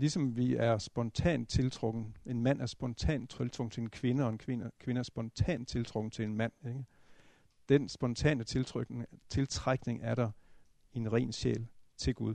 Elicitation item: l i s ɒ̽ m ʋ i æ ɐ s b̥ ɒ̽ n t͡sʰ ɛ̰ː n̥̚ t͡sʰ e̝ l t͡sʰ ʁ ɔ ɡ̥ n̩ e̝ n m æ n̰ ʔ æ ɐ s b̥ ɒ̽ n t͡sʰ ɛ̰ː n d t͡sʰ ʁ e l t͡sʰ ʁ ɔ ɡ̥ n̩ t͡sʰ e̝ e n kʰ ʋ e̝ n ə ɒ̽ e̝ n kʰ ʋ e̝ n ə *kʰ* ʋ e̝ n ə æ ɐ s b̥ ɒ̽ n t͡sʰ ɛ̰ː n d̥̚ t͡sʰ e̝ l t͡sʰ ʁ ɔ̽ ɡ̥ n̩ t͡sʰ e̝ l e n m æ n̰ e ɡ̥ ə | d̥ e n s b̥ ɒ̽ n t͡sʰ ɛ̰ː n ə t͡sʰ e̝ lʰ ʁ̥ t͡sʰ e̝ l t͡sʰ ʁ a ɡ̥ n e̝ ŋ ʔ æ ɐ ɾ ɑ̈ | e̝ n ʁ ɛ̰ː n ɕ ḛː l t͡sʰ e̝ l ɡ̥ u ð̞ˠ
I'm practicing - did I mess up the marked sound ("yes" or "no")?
no